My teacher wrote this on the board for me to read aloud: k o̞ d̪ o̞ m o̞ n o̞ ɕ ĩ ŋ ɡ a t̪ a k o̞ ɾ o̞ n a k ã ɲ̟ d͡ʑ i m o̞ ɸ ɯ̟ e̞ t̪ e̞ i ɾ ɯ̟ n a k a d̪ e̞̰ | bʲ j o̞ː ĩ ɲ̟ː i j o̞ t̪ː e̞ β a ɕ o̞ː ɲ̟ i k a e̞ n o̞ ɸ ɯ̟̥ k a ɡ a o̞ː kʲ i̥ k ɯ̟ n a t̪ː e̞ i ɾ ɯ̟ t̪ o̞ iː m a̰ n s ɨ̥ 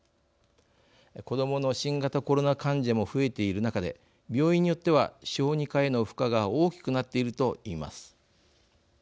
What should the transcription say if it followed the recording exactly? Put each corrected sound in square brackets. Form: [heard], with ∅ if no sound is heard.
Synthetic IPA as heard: k o̞ d̪ o̞ m o̞ n o̞ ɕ ĩ ŋ ɡ a t̪ a k o̞ ɾ o̞ n a k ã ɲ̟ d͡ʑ [a] m o̞ ɸ ɯ̟ e̞ t̪ e̞ i ɾ ɯ̟ n a k a d̪ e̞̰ | bʲ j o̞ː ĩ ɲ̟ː i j o̞ t̪ː e̞ β a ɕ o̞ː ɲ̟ i k a e̞ n o̞ ɸ ɯ̟̥ k a ɡ a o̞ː kʲ i̥ k ɯ̟ n a t̪ː e̞ i ɾ ɯ̟ t̪ o̞ iː m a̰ [∅] s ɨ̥